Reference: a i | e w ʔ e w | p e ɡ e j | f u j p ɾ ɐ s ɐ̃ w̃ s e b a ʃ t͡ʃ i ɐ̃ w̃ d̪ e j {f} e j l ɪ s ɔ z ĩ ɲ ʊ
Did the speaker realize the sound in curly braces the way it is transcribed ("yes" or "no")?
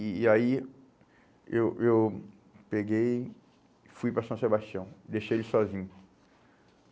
no